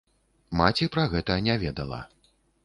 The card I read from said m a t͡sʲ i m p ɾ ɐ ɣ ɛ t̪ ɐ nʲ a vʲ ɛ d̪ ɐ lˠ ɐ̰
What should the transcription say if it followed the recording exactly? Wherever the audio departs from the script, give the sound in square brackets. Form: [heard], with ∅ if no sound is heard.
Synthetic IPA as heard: m a t͡sʲ i [∅] p ɾ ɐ ɣ ɛ t̪ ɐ nʲ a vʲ ɛ d̪ ɐ lˠ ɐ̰